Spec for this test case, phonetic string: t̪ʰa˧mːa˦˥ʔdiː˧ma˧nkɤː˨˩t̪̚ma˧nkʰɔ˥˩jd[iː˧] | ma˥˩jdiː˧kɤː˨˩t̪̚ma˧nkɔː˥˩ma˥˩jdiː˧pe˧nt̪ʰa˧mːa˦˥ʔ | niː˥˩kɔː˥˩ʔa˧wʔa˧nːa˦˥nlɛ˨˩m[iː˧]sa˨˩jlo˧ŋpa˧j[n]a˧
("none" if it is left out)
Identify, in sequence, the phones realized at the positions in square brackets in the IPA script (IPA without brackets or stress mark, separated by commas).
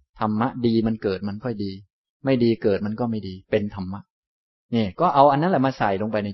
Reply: iː˧, aː˧, n